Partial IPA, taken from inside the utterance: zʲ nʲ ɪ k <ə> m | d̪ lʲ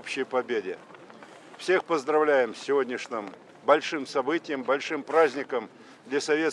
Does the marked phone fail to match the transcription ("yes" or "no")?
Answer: no